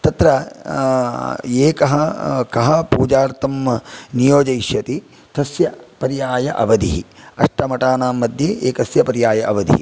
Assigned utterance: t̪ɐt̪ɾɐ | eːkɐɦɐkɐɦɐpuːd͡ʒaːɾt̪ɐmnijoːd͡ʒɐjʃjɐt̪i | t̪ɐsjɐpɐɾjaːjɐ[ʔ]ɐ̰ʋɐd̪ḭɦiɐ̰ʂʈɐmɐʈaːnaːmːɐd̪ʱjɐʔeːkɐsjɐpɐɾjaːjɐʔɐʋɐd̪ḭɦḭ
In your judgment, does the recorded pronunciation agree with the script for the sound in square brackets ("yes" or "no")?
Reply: yes